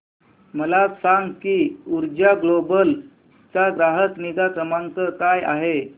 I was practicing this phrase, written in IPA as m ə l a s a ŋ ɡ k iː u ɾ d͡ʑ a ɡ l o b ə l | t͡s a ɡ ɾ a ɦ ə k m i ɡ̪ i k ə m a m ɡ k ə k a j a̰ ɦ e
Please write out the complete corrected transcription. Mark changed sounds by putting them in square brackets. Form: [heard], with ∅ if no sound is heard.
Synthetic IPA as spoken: m ə l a s a ŋ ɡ k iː u ɾ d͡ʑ a ɡ l o b ə l | t͡s a ɡ ɾ a ɦ ə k [n] i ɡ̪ [a] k ə m a [ŋ] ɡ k ə k a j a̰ ɦ e